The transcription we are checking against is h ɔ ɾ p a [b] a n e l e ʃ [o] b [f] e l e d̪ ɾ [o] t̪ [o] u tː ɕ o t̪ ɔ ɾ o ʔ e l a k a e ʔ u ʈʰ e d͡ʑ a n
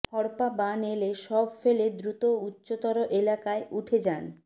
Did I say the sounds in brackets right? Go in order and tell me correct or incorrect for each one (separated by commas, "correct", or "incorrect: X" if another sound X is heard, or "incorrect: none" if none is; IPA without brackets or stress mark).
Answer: correct, incorrect: ɔ, correct, incorrect: u, correct